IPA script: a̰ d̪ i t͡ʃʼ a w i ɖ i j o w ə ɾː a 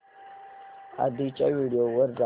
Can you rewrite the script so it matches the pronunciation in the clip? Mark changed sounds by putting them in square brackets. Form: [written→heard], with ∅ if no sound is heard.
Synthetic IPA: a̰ d̪ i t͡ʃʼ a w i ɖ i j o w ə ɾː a